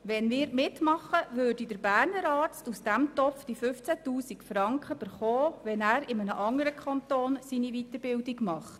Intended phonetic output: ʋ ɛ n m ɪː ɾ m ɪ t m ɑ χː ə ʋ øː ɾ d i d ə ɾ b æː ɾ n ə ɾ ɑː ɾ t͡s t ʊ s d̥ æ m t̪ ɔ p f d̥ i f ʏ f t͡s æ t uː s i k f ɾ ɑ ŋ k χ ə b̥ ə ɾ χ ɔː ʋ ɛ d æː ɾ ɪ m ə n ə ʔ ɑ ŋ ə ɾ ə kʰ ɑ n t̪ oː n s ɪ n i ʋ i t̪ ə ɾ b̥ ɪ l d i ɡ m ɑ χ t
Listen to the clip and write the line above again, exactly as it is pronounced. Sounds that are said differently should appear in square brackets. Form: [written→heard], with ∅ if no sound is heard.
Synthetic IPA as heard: ʋ ɛ n m ɪː ɾ m ɪ t m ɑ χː ə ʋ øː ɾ d i d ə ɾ b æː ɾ n ə ɾ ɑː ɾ t͡s t [ʊ→u] s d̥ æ m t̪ ɔ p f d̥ i f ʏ f t͡s æ t uː s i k f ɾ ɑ ŋ k χ ə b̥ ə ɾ χ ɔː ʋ ɛ [d→n] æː ɾ ɪ m ə n ə ʔ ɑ ŋ ə ɾ ə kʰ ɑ n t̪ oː n s [ɪ→i] n i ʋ i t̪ ə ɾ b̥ ɪ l d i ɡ m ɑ χ t

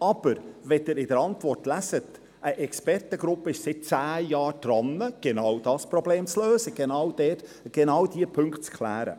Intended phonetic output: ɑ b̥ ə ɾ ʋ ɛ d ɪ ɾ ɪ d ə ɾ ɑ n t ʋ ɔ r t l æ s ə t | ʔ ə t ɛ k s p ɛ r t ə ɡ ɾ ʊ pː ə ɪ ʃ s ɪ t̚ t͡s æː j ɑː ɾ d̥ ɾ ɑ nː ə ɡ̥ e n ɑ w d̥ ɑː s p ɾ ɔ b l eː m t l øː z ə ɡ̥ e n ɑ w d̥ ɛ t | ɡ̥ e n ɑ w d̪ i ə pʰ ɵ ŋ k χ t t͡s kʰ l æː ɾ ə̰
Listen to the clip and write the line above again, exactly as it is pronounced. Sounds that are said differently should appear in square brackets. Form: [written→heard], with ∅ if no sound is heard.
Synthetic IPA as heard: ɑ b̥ ə ɾ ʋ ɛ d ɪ ɾ ɪ d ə ɾ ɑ n t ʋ ɔ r t l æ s ə t | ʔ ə [t→ʔ] ɛ k s p ɛ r t ə ɡ ɾ ʊ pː ə ɪ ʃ s ɪ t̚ t͡s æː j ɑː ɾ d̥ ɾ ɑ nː ə ɡ̥ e n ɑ w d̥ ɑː s p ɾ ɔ b l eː m [t→t͡s] l øː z ə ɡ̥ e n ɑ w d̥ ɛ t | ɡ̥ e n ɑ w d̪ i ə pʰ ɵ ŋ k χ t t͡s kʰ l æː ɾ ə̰

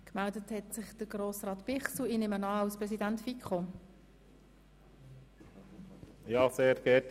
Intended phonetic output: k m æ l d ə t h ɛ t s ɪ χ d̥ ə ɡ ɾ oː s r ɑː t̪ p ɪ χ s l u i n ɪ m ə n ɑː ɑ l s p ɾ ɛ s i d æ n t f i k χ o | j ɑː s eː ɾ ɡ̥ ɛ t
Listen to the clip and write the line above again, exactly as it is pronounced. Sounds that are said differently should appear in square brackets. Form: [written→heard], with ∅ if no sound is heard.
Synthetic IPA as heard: k m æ l d ə t h ɛ t s ɪ χ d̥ ə ɡ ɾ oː s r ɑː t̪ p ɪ χ s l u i n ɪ m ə n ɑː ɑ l s p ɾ ɛ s i d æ n t f i k χ o | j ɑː s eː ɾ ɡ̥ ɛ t

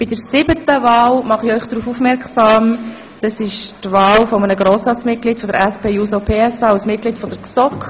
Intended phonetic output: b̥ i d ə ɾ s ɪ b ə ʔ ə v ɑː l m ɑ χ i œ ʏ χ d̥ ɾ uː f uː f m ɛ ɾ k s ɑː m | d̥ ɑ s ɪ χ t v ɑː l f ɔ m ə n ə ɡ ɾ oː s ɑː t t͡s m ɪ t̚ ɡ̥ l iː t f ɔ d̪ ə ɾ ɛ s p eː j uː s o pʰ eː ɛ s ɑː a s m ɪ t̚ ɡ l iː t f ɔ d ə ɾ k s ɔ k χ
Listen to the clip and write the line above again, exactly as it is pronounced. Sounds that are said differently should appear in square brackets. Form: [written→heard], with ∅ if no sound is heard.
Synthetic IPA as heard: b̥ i d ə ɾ s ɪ b ə [ʔ→t] ə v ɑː l m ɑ χ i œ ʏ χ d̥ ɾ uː f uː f m ɛ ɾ k s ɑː m | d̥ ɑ s ɪ [χ→ʃ] t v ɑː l f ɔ m ə n ə ɡ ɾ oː s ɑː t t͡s m ɪ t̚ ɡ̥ l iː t f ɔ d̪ ə ɾ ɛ s p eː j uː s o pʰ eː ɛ s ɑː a s m ɪ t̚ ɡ l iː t f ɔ d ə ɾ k s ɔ k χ

